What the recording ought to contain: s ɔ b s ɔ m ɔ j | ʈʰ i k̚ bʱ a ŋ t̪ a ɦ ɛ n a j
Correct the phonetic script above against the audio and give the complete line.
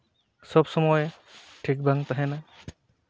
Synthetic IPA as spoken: s ɔ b s ɔ m ɔ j | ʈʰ i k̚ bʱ a ŋ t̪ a ɦ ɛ n a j